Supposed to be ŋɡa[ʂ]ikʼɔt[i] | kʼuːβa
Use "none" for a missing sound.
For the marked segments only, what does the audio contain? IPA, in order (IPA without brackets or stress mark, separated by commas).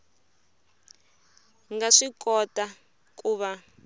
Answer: ʂ, a